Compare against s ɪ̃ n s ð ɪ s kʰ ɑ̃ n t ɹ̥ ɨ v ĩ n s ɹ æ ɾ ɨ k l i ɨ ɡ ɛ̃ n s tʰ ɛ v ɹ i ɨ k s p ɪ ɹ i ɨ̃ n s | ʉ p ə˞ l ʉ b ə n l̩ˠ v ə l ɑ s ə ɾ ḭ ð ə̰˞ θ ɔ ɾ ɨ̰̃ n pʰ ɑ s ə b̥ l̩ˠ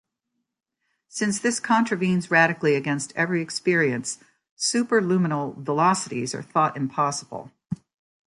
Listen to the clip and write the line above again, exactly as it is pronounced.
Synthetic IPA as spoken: s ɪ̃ n s ð ɪ s kʰ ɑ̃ n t ɹ̥ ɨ v ĩ n z ɹ æ ɾ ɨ k l i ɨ ɡ ɛ̃ n s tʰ ɛ v ɹ i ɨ k s p ɪ ɹ i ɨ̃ n s | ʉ p ə˞ l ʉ m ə n l̩ˠ v ə l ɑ s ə ɾ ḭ z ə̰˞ θ ɔ ɾ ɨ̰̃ m pʰ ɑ s ə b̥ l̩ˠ

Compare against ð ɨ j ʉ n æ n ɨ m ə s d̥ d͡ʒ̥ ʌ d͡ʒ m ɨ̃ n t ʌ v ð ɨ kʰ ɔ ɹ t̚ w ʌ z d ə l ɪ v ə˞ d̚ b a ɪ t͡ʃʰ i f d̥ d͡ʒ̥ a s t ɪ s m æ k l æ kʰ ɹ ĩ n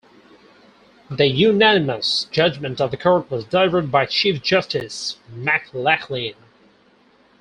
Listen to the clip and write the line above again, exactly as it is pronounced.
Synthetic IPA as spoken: ð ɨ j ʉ n æ n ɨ m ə s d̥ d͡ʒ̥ ʌ d͡ʒ m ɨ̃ n t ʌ v ð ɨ kʰ ɔ ɹ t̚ w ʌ z d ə l ɪ v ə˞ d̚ b a ɪ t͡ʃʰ i f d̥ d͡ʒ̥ ʌ s t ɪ s m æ k l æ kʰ l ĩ n

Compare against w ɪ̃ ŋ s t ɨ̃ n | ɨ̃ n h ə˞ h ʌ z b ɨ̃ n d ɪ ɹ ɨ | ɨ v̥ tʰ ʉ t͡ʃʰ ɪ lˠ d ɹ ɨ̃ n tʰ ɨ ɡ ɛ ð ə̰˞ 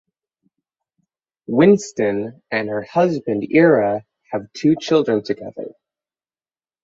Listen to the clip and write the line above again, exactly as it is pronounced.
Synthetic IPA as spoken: w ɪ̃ n s t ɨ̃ n | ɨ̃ n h ə˞ h ʌ z b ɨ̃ n d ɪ ɹ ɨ | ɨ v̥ tʰ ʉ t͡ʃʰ ɪ lˠ d ɹ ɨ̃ n tʰ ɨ ɡ ɛ ð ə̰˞

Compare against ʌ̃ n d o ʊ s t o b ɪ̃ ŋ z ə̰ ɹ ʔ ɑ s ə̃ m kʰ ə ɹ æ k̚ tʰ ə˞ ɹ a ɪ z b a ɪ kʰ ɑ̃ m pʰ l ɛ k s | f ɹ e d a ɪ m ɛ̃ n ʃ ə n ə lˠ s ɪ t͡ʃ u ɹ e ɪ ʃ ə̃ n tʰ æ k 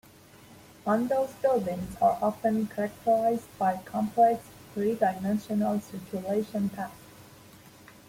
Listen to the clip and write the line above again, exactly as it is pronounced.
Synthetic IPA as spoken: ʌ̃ n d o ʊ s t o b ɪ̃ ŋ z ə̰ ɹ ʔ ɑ f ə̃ n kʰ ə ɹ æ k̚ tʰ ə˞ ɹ a ɪ z b a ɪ kʰ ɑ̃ m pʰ l ɛ k s | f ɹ i d a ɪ m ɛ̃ n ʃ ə n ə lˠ s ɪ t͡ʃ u l e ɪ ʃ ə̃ n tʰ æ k

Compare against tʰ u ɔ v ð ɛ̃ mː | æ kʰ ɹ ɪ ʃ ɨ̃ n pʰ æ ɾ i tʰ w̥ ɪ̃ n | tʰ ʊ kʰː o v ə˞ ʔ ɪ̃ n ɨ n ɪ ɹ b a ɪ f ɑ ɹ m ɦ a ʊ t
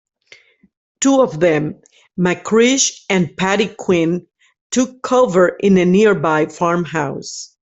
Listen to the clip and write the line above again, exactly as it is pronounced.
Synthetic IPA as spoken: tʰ u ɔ v ð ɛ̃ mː | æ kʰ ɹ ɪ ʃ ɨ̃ n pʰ æ ɾ i kʰ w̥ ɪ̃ n | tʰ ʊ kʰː o v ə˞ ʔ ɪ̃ n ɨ n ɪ ɹ b a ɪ f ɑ ɹ m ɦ a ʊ s

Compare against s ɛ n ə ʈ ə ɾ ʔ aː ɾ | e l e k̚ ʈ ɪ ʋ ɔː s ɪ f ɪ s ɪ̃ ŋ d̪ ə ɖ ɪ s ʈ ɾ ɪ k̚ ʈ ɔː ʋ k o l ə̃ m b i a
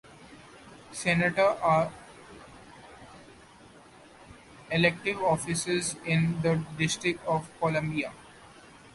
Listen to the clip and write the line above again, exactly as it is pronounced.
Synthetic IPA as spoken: s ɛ n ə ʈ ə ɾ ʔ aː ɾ | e l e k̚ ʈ ɪ ʋ ɔː f ɪ s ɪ z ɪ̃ n d̪ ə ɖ ɪ s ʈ ɾ ɪ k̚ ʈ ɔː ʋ k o l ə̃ m b i a

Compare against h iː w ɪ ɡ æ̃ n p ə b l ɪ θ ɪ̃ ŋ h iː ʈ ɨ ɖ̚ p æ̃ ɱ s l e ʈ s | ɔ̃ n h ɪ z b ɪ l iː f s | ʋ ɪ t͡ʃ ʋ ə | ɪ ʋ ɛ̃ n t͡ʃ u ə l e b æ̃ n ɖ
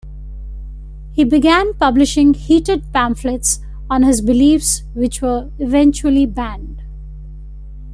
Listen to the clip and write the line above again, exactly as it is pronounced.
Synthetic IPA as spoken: h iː b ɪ ɡ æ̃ n p ʌ b l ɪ ʃ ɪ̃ ŋ h iː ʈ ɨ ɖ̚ p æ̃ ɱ f l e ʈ s | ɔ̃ n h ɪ z b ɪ l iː f s | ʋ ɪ t͡ʃ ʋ ə | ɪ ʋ ɛ̃ n t͡ʃ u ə l i b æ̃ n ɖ

